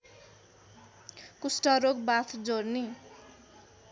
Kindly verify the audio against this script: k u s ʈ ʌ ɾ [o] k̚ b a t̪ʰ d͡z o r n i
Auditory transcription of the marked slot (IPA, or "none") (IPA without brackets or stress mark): o